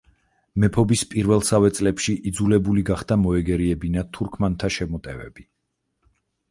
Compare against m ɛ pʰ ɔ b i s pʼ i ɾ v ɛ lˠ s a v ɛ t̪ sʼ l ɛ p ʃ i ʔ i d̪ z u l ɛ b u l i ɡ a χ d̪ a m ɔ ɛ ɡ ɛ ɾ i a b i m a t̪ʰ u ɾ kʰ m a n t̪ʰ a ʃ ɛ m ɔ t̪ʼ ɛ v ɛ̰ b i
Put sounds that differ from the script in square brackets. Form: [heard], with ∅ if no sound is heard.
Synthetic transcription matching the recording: m ɛ pʰ ɔ b i s pʼ i ɾ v ɛ lˠ s a v ɛ t̪ sʼ l ɛ p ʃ i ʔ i d̪ z u l ɛ b u l i ɡ a χ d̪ a m ɔ ɛ ɡ ɛ ɾ i [ɛ] b i [n] a t̪ʰ u ɾ kʰ m a n t̪ʰ a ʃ ɛ m ɔ t̪ʼ ɛ v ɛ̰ b i